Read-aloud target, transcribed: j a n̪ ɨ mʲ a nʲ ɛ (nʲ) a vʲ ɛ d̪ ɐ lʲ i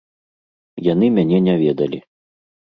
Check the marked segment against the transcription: correct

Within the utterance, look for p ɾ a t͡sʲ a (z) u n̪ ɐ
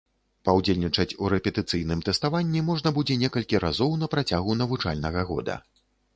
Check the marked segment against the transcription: incorrect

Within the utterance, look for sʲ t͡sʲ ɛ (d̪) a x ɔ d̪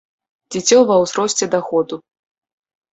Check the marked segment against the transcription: correct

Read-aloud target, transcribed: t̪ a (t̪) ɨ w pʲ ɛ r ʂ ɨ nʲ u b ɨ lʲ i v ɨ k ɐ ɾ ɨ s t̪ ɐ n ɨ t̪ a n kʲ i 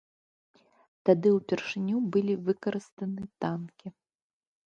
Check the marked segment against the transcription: incorrect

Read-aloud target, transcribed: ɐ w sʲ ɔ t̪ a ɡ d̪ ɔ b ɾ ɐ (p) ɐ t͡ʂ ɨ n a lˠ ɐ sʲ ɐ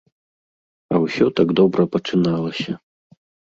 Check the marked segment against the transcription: correct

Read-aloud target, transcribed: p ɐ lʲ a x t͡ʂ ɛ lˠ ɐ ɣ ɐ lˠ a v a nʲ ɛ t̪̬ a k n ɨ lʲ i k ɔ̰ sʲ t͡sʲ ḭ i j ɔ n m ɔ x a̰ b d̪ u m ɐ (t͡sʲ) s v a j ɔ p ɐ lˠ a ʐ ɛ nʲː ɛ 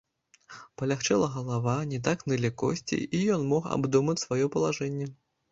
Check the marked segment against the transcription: correct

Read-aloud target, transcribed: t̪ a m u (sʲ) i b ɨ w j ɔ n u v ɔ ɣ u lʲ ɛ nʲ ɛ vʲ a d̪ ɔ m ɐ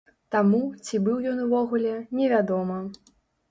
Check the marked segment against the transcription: incorrect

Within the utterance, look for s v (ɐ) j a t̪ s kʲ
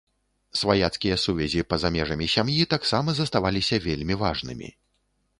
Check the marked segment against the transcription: incorrect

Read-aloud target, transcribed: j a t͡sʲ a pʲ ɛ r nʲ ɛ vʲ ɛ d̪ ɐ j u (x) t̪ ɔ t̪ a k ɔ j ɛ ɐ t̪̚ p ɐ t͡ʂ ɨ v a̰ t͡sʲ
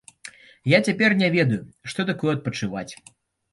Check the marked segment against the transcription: incorrect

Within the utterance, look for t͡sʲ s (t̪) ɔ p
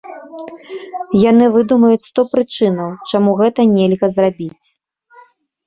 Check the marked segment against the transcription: correct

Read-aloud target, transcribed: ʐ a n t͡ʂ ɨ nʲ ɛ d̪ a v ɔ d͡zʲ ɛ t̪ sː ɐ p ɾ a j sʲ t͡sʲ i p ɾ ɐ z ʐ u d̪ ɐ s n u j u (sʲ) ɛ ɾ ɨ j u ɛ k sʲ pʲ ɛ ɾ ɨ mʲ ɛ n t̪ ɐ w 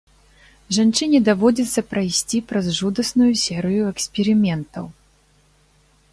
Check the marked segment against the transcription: correct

